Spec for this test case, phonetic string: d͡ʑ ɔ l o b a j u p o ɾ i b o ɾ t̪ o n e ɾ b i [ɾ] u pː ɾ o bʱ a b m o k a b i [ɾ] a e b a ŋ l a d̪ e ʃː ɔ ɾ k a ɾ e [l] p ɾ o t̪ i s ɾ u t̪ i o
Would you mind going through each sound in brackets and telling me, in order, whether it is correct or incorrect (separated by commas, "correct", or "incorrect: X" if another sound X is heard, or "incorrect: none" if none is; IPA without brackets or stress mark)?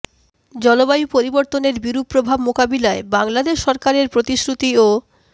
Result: correct, incorrect: l, incorrect: ɾ